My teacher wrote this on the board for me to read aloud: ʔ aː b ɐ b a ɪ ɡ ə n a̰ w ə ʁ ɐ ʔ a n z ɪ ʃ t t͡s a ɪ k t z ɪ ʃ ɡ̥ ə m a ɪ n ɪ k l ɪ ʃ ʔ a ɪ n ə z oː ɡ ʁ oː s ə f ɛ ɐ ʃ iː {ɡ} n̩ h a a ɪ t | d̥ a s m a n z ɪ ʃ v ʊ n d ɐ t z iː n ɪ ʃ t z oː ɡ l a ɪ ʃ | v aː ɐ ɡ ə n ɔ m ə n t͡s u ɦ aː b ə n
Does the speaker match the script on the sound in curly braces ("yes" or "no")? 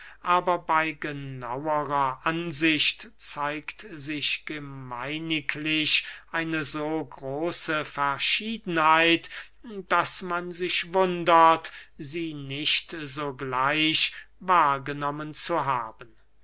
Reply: no